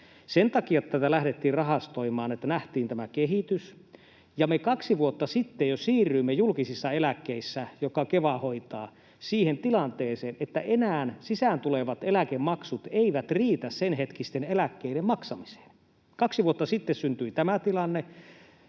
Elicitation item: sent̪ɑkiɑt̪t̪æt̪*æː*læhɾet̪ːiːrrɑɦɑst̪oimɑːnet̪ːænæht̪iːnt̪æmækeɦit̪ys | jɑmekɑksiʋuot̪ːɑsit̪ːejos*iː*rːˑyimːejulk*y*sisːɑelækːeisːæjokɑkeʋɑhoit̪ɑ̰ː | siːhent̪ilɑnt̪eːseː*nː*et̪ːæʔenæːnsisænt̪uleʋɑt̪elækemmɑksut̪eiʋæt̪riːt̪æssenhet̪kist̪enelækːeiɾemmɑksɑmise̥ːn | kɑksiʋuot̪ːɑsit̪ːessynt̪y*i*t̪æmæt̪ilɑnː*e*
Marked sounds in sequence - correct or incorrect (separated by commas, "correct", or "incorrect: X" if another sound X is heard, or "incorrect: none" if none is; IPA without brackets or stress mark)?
incorrect: æ, correct, incorrect: i, incorrect: n, correct, correct